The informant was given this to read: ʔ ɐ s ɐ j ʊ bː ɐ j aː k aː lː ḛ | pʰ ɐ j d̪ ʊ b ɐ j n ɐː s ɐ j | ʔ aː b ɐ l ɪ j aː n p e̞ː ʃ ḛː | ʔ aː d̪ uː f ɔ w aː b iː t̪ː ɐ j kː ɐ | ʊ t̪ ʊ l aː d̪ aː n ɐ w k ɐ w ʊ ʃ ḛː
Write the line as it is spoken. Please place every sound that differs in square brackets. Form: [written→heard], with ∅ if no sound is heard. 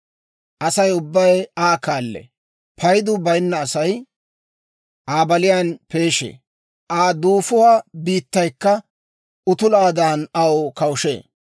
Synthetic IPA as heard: ʔ ɐ s ɐ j ʊ bː ɐ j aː k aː lː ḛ | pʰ ɐ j d̪ ʊ b ɐ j [n→nː] ɐː s ɐ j | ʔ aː b ɐ l ɪ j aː n p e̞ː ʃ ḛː | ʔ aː d̪ uː f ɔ w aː b iː t̪ː ɐ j kː ɐ | ʊ t̪ ʊ l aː d̪ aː n ɐ w k ɐ w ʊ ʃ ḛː